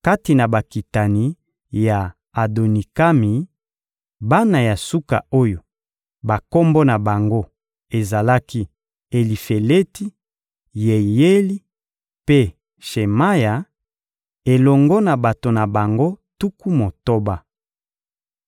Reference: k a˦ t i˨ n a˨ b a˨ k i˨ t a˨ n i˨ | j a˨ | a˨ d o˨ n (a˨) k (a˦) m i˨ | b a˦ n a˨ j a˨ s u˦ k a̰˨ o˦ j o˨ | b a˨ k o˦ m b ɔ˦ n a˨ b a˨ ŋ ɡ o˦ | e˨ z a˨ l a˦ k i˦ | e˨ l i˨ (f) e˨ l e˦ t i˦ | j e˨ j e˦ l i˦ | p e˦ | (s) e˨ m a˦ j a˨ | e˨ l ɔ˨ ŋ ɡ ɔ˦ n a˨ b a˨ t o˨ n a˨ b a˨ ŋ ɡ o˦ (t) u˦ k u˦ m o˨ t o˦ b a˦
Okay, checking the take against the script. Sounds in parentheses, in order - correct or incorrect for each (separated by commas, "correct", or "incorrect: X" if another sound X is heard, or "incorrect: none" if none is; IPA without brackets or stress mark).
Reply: incorrect: i˨, correct, correct, incorrect: ʃ, correct